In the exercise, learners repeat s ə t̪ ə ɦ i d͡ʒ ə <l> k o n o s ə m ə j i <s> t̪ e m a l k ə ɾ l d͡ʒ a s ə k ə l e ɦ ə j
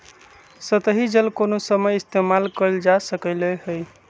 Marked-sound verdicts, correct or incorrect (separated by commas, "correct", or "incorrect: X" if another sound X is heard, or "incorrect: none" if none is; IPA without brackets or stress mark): correct, correct